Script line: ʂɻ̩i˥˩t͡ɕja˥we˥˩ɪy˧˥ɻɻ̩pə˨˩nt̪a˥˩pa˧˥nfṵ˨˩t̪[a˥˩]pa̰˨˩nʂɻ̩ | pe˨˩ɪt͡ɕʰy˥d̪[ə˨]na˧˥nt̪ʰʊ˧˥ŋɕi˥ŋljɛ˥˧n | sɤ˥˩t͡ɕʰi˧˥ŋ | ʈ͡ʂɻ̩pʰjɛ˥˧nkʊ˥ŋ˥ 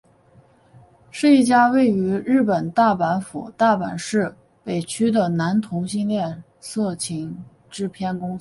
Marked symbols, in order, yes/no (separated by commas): yes, yes